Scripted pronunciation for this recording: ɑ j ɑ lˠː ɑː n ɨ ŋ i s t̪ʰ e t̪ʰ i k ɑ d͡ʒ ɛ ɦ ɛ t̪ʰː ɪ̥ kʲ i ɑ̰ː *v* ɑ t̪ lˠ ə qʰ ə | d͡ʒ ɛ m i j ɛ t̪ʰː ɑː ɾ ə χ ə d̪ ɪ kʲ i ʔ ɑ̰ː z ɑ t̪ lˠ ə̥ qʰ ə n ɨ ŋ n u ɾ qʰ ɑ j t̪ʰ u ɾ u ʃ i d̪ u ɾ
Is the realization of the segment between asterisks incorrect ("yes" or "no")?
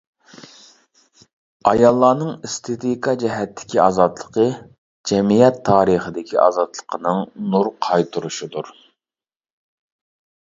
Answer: yes